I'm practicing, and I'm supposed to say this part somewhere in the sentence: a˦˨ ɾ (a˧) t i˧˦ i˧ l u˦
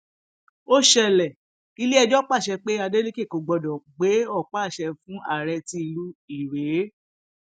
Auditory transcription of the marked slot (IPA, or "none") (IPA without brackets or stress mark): ɛ˧